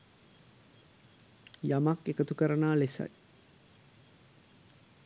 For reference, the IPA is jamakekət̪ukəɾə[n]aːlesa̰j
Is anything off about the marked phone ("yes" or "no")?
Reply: no